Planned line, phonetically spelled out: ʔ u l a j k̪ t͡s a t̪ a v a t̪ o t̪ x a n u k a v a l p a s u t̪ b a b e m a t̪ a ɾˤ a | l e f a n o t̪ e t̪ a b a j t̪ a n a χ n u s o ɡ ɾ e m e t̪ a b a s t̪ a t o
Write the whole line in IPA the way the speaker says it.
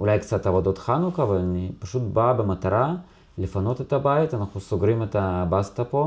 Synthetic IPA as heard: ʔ u l a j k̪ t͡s a t̪ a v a d̪ o t̪ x a n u k a v a l p a ʃ u t̪ b a b e m a t̪ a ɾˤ a | l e f a n o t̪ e t̪ a b a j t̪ a n a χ n u s o ɡ ɾ i m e t̪ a b a s t̪ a p o